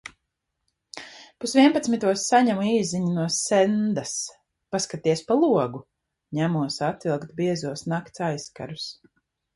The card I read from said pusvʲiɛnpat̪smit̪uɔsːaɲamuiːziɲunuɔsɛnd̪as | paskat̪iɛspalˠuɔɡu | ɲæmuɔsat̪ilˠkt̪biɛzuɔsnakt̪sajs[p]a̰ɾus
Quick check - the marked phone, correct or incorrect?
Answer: incorrect